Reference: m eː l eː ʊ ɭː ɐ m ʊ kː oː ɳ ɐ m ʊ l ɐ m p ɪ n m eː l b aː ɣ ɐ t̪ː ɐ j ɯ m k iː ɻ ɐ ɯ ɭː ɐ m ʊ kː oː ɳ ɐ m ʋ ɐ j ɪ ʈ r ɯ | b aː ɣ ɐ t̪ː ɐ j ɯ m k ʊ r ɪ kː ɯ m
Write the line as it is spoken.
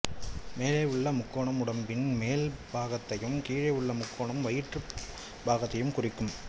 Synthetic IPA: m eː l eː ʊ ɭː ɐ m ʊ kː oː ɳ ɐ m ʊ ɽ ɐ m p ɪ n m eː l b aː ɣ ɐ t̪ː ɐ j ɯ m k iː ɻ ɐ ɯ ɭː ɐ m ʊ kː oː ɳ ɐ m ʋ ɐ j ɪ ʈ r ɯ | b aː ɣ ɐ t̪ː ɐ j ɯ m k ʊ r ɪ kː ɯ m

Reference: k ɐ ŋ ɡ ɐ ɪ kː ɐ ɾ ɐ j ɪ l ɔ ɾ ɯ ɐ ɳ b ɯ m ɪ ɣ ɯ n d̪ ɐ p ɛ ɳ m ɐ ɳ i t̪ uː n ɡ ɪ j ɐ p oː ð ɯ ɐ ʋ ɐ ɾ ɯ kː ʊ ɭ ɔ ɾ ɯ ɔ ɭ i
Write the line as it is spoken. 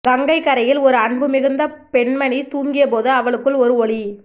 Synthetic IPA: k ɐ ŋ ɡ ɐ ɪ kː ɐ ɾ ɐ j ɪ l ɔ ɾ ɯ ɐ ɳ b ɯ m ɪ ɣ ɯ n d̪ ɐ p ɛ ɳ m ɐ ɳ i t̪ uː ŋ ɡ ɪ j ɐ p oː ð ɯ ɐ ʋ ɐ ɭ ɯ kː ɯ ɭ ɔ ɾ ɯ ɔ ɭ i

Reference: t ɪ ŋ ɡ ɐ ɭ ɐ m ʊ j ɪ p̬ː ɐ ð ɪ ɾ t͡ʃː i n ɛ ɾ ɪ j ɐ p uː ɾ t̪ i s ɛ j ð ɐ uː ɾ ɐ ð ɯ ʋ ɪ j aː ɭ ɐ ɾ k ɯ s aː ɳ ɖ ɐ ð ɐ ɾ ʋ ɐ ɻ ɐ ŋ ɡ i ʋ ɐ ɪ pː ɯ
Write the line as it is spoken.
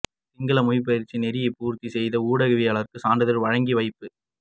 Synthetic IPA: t ɪ ŋ ɡ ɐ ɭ ɐ m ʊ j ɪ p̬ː ɐ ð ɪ ɾ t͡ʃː i n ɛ ɾ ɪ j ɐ p uː ɾ t̪ i s ɛ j ð ɐ uː ɽ ɐ ɣ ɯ ʋ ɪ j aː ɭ ɐ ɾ k ɯ s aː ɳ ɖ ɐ ð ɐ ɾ ʋ ɐ ɻ ɐ ŋ ɡ i ʋ ɐ ɪ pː ɯ

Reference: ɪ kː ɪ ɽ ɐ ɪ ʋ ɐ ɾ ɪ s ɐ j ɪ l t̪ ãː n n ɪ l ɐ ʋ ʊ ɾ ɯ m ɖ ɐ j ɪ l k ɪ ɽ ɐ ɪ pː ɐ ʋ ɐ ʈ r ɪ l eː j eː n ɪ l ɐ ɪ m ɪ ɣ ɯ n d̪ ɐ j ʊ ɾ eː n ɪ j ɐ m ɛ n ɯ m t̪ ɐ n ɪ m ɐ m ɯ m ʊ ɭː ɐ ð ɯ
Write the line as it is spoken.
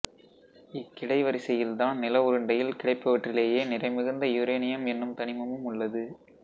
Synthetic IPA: ɪ kː ɪ ɽ ɐ ɪ ʋ ɐ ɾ ɪ s ɐ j ɪ l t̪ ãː n n ɪ l ɐ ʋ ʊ ɾ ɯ ɳ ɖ ɐ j ɪ l k ɪ ɽ ɐ ɪ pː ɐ ʋ ɐ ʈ r ɪ l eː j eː n ɪ r ɐ ɪ m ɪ ɣ ɯ n d̪ ɐ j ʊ ɾ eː n ɪ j ɐ m ɛ nː ɯ m t̪ ɐ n ɪ m ɐ m ɯ m ʊ ɭː ɐ ð ɯ

